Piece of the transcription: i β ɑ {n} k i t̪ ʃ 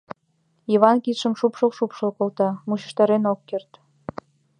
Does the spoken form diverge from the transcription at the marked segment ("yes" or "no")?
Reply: no